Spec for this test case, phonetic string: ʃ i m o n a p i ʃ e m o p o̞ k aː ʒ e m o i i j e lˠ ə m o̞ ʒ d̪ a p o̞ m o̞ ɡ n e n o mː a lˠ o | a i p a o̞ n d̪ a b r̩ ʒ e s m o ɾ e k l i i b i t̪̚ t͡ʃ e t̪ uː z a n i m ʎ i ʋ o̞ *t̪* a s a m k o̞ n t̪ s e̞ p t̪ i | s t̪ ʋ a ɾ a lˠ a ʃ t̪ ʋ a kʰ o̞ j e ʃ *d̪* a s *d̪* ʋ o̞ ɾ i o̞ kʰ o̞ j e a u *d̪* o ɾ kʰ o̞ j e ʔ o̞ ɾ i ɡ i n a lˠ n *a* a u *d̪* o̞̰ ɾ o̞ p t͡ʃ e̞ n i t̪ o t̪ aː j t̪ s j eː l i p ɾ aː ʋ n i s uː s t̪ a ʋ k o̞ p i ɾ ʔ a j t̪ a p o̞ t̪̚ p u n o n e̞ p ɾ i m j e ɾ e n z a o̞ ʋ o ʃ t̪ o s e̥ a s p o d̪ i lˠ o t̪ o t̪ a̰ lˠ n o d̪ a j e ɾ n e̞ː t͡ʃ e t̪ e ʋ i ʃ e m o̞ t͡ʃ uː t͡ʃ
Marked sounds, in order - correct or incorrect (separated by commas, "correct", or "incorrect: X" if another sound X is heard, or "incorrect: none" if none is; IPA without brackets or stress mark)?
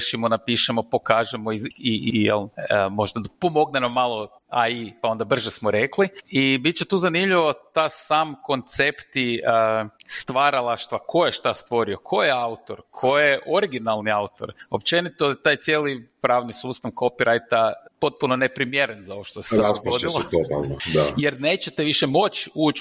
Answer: correct, incorrect: t̪, incorrect: t̪, incorrect: t̪, incorrect: i, incorrect: t̪